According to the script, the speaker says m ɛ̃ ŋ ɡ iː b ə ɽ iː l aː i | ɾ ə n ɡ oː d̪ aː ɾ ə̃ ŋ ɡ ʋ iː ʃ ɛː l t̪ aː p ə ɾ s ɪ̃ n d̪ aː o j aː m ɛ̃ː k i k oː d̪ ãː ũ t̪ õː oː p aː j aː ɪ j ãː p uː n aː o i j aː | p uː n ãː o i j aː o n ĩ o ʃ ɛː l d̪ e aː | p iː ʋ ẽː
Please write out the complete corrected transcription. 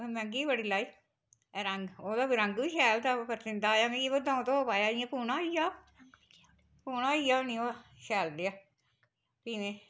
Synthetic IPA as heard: m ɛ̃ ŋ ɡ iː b ə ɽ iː l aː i | ɾ ə ŋ ɡ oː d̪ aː ɾ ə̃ ŋ ɡ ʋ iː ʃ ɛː l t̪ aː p ə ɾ s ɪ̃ n d̪ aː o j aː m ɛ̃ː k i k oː d̪ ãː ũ t̪ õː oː p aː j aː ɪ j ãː p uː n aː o i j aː | p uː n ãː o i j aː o n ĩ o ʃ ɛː l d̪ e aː | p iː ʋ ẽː

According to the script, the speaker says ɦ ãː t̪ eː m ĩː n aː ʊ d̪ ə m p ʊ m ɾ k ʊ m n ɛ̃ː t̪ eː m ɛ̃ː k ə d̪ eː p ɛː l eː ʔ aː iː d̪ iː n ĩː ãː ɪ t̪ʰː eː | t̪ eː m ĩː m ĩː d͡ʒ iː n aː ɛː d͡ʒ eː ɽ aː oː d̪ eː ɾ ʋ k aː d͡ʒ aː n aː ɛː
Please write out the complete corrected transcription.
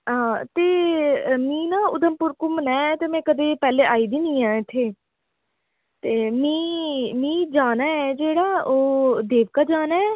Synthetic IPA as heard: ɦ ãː t̪ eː m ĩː n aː ʊ d̪ ə m p ʊ ɾ k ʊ m n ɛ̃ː t̪ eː m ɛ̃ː k ə d̪ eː p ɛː l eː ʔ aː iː d̪ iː n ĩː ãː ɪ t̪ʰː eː | t̪ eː m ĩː m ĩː d͡ʒ aː n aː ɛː d͡ʒ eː ɽ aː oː d̪ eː ʋ k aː d͡ʒ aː n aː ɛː

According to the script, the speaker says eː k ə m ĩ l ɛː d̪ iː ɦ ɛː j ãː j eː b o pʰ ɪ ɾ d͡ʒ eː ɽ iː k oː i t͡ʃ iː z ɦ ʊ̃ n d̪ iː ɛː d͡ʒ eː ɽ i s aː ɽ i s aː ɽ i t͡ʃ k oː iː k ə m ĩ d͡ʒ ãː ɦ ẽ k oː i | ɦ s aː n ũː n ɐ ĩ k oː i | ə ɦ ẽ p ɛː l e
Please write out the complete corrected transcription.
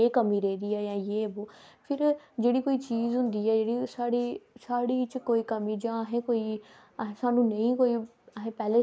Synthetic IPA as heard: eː k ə m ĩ ɾ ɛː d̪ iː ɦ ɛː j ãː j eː b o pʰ ɪ ɾ d͡ʒ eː ɽ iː k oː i t͡ʃ iː z ɦ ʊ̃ n d̪ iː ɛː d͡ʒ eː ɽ i s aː ɽ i s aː ɽ i t͡ʃ k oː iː k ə m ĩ d͡ʒ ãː ɦ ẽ k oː i | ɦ s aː n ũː n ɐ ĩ k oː i | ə ɦ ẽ p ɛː l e

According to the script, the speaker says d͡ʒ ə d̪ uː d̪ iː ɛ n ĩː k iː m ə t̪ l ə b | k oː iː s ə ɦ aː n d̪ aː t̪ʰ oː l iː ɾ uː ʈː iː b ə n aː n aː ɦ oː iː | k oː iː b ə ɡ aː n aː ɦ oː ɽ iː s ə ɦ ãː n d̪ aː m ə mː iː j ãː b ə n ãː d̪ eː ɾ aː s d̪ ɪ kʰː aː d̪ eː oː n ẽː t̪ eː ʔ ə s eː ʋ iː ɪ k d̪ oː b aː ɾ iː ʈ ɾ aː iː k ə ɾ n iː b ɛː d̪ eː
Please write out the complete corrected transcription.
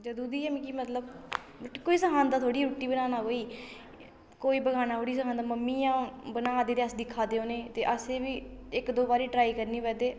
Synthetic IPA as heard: d͡ʒ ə d̪ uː d̪ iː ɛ m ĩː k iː m ə t̪ l ə b | k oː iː s ə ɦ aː n d̪ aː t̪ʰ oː ɽ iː ɾ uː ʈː iː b ə n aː n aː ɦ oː iː | k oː iː b ə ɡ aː n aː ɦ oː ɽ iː s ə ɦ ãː n d̪ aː m ə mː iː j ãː b ə n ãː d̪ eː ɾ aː s d̪ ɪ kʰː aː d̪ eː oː n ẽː t̪ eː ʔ ə s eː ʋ iː ɪ k d̪ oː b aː ɾ iː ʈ ɾ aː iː k ə ɾ n iː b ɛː d̪ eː

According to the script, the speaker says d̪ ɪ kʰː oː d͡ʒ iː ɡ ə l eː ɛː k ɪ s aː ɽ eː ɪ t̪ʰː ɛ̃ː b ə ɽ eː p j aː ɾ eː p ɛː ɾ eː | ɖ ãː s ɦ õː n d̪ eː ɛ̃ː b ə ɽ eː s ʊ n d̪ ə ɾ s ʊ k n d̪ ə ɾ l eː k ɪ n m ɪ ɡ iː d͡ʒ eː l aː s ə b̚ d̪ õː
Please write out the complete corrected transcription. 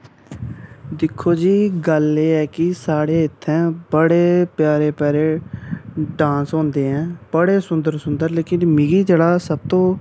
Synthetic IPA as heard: d̪ ɪ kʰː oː d͡ʒ iː ɡ ə l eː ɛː k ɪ s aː ɽ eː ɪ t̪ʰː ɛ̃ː b ə ɽ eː p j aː ɾ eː p ɛː ɾ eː | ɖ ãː s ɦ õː n d̪ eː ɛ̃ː b ə ɽ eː s ʊ n d̪ ə ɾ s ʊ n d̪ ə ɾ l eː k ɪ n m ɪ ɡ iː d͡ʒ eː ɽ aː s ə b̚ t̪ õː

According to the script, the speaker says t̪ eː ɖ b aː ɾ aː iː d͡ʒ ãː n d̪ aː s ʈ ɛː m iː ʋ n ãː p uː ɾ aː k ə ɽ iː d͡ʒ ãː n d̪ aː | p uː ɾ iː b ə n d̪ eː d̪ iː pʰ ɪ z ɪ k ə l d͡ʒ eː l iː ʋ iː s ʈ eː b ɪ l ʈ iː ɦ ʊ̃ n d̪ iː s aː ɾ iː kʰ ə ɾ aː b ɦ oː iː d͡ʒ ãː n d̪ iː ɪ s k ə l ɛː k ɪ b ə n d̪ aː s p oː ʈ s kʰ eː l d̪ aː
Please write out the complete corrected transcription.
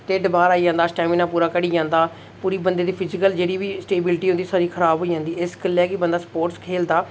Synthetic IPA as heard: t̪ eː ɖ b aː ɾ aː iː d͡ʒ ãː n d̪ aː s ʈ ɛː m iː n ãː p uː ɾ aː k ə ɽ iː d͡ʒ ãː n d̪ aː | p uː ɾ iː b ə n d̪ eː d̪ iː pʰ ɪ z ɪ k ə l d͡ʒ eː ɽ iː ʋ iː s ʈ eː b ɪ l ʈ iː ɦ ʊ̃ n d̪ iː s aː ɾ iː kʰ ə ɾ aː b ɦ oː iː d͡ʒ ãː n d̪ iː ɪ s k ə l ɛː k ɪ b ə n d̪ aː s p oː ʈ s kʰ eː l d̪ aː

